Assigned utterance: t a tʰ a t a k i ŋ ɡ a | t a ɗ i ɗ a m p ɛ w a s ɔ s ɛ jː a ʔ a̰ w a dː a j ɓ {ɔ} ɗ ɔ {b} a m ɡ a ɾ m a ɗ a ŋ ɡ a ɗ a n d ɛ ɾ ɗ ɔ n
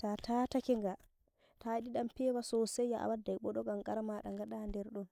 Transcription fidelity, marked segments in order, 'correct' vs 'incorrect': correct, incorrect

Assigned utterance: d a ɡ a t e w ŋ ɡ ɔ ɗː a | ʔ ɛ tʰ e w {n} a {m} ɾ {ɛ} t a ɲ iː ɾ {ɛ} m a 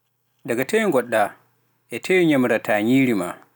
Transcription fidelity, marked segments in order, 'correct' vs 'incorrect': incorrect, correct, incorrect, incorrect

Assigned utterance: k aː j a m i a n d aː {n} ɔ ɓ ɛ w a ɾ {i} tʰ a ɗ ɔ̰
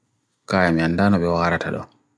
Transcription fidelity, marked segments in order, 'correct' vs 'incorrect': correct, incorrect

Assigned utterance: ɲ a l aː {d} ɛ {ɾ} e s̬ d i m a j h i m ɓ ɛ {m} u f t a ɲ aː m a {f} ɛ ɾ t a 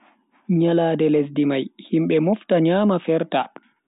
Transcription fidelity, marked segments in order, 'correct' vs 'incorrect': correct, incorrect, correct, correct

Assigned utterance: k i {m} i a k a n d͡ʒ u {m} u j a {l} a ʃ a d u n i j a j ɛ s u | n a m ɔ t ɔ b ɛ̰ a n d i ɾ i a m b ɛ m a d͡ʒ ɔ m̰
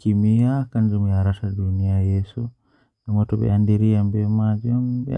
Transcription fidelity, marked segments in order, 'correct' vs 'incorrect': correct, correct, incorrect

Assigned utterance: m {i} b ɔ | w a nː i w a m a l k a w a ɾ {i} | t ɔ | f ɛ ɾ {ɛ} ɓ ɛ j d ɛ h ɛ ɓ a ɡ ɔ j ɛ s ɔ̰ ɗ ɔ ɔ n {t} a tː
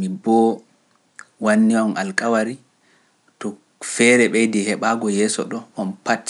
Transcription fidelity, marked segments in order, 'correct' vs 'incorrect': correct, correct, correct, incorrect

